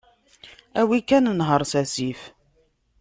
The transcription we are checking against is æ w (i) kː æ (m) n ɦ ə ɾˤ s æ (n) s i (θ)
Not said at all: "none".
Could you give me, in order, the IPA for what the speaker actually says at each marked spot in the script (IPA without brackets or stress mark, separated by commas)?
i, n, none, f